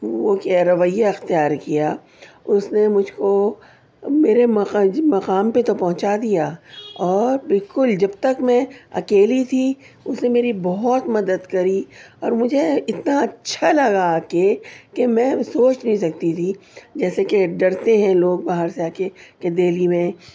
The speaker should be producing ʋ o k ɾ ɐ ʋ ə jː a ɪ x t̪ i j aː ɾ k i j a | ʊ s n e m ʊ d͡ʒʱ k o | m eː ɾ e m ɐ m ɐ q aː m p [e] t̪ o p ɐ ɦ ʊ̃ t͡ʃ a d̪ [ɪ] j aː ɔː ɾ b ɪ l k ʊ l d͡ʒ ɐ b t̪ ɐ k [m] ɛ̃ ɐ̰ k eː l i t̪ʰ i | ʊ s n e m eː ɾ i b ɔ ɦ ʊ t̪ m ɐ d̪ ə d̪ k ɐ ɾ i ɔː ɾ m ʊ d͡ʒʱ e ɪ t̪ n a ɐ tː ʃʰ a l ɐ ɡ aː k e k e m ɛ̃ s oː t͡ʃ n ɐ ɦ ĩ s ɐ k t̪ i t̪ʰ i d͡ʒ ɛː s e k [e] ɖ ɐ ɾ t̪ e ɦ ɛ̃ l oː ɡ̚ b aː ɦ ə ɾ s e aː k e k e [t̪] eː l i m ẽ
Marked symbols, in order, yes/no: yes, no, yes, yes, no

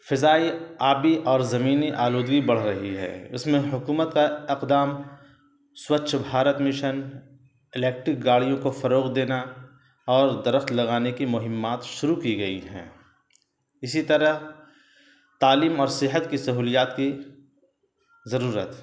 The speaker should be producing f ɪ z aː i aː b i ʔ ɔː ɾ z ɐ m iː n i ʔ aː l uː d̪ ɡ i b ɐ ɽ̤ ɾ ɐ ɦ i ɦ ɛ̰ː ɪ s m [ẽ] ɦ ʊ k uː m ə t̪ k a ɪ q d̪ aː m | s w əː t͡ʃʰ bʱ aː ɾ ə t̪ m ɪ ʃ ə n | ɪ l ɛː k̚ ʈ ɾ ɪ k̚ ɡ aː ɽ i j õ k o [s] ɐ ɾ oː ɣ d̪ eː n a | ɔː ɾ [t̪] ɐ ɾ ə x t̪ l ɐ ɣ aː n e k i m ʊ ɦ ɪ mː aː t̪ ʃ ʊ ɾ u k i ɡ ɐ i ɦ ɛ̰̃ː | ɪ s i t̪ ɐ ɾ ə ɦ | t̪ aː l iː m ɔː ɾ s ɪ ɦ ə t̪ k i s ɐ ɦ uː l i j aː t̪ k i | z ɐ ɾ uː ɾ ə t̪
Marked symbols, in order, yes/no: yes, no, no

